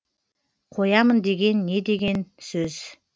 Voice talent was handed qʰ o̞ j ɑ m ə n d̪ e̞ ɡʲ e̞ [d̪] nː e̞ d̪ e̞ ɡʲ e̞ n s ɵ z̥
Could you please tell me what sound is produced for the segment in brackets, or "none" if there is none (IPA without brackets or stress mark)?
none